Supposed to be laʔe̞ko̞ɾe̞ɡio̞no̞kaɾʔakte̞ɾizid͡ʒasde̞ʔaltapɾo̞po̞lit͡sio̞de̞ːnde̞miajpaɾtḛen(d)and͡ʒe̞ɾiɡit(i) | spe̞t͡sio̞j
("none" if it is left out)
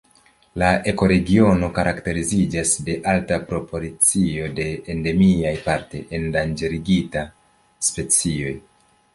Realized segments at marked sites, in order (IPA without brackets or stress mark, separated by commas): d, a